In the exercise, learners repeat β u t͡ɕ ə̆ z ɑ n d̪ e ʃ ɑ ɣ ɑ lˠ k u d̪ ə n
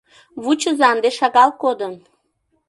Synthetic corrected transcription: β u t͡ɕ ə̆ z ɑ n d̪ e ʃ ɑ ɣ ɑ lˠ k o d̪ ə n